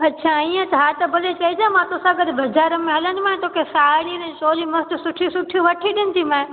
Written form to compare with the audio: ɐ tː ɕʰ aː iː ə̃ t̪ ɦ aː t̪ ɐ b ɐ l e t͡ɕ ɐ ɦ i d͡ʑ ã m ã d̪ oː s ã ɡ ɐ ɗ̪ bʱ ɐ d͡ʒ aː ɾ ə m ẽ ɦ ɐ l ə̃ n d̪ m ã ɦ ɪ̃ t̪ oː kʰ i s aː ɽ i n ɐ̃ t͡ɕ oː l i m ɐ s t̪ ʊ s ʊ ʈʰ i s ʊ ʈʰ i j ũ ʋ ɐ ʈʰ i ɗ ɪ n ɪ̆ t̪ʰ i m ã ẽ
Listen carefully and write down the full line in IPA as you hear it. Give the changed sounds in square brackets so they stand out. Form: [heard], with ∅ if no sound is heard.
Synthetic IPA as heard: ɐ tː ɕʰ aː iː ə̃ t̪ ɦ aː t̪ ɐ b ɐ l e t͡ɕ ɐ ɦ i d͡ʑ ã m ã [t̪] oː s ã ɡ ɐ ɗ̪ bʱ ɐ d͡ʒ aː ɾ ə m ẽ ɦ ɐ l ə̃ n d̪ m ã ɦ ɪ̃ t̪ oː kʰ [e] s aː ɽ i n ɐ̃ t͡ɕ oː l i m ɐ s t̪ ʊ s ʊ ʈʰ i s ʊ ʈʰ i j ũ ʋ ɐ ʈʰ i ɗ ɪ n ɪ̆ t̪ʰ i m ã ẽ